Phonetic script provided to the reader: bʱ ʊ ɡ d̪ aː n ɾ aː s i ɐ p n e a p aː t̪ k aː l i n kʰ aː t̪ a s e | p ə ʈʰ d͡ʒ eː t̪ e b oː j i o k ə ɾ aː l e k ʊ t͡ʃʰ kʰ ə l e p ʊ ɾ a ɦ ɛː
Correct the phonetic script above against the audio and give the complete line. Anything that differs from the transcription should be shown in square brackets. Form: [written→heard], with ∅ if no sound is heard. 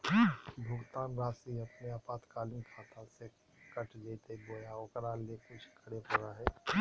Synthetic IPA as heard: bʱ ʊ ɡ [d̪→t̪] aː n ɾ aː s i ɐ p n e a p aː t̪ k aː l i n kʰ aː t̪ a s e | [p→k] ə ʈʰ d͡ʒ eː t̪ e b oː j [i→a] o k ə ɾ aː l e k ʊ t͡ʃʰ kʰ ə [l→ɽ] e p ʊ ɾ a ɦ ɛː